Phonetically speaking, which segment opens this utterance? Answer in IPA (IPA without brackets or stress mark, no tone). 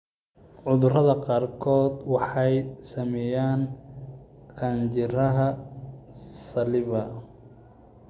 ʕ